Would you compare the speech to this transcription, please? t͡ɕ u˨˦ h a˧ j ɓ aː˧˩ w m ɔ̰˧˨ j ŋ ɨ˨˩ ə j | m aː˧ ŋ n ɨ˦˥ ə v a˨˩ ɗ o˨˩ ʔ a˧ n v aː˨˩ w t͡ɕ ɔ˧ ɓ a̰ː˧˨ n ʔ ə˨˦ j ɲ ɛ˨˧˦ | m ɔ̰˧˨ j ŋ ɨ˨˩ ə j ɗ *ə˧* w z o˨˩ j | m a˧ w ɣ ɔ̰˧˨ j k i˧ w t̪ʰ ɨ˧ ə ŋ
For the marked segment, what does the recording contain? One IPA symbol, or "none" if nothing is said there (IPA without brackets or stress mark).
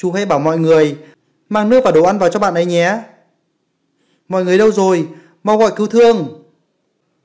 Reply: ə˧